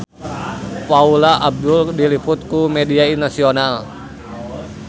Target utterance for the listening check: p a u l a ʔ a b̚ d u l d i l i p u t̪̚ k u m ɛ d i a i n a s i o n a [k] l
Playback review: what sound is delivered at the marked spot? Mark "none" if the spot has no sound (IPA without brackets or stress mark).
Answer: none